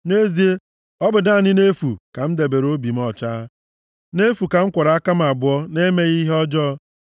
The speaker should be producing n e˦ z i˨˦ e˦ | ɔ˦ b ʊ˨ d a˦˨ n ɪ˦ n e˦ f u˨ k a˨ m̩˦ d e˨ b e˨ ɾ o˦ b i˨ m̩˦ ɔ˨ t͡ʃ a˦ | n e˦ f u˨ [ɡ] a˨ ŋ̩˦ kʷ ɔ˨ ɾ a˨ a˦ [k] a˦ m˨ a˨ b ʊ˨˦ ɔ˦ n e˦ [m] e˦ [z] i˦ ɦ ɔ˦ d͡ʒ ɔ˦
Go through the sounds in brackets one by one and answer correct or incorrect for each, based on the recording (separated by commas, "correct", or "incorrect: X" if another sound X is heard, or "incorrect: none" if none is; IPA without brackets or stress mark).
incorrect: k, correct, correct, incorrect: ɣ